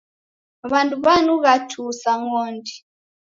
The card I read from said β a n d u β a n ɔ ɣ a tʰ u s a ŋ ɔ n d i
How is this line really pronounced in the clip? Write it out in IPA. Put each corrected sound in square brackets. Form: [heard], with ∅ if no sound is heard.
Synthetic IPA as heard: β a n d u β a n [u] ɣ a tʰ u s a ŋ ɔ n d i